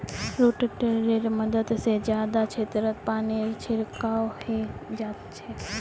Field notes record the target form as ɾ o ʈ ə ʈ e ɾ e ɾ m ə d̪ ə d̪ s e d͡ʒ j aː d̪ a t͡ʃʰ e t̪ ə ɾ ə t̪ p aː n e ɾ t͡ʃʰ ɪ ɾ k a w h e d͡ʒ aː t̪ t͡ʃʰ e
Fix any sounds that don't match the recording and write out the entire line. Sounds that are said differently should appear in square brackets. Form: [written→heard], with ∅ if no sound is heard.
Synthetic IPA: ɾ o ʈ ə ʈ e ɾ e ɾ m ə d̪ ə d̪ s e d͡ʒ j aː d̪ a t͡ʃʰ e t̪ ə ɾ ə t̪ p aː n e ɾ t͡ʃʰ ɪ ɾ k a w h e d͡ʒ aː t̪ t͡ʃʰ e